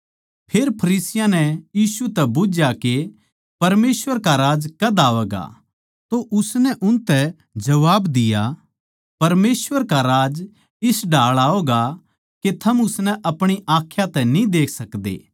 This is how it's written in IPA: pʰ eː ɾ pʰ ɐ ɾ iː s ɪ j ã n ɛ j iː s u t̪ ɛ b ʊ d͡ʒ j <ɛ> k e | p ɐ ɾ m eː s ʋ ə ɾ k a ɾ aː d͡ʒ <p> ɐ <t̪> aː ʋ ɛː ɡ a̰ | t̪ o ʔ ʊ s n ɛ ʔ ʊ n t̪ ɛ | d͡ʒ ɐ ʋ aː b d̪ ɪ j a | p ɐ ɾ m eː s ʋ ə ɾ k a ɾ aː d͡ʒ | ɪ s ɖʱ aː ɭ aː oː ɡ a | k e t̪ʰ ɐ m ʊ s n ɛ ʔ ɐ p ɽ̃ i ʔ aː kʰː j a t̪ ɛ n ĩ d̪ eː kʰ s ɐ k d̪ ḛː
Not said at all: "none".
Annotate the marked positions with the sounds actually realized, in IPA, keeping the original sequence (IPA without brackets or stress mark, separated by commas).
a, k, d̪